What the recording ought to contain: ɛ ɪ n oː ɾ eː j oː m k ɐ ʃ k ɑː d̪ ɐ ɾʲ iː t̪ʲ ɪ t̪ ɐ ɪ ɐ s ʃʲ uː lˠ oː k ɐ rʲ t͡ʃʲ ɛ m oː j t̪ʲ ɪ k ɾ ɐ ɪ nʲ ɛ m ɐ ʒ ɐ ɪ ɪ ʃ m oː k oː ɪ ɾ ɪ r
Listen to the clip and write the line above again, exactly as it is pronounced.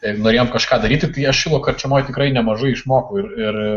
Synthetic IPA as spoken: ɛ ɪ n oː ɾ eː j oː m k ɐ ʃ k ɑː d̪ ɐ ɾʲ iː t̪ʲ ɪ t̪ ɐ ɪ ɐ ʃ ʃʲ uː lˠ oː k ɐ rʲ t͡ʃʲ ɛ m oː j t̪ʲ ɪ k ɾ ɐ ɪ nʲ ɛ m ɐ ʒ ɐ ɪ ɪ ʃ m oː k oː ɪ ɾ ɪ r